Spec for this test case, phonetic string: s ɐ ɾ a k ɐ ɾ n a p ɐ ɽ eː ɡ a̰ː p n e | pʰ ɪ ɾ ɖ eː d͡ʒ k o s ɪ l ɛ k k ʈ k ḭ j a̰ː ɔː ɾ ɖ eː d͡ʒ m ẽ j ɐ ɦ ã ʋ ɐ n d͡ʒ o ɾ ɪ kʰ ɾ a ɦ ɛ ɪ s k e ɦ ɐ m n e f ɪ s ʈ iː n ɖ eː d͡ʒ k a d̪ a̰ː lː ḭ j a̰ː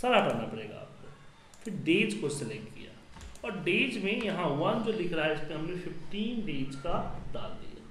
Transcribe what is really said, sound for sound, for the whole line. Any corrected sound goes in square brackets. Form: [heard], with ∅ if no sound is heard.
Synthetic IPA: s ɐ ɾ a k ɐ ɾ n a p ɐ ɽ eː ɡ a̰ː p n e | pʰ ɪ ɾ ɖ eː d͡ʒ k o s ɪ l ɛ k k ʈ k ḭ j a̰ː ɔː ɾ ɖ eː d͡ʒ m ẽ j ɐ ɦ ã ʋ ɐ n d͡ʒ o [l] ɪ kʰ ɾ a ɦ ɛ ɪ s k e ɦ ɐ m n e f ɪ [f] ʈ iː n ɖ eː d͡ʒ k a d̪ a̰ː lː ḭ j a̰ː